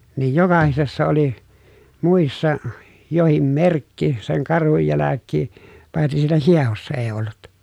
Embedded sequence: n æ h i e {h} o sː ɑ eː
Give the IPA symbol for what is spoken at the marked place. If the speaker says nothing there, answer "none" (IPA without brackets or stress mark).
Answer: h